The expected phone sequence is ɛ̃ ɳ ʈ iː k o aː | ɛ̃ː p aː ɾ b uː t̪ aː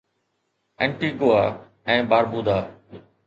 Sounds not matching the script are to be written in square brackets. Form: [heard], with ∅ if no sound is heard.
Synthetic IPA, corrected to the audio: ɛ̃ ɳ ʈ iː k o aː | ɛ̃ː [b] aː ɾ b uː [d̪] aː